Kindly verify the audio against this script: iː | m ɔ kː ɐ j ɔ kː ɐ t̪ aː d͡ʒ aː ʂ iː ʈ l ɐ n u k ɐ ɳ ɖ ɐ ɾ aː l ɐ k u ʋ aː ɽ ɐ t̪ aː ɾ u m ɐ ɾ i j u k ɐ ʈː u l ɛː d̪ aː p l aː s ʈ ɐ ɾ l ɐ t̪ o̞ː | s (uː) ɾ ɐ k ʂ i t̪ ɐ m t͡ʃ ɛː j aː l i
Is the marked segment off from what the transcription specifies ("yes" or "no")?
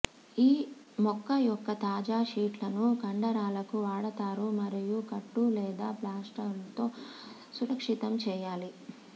yes